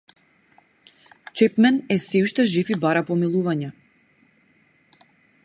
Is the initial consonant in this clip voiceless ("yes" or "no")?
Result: yes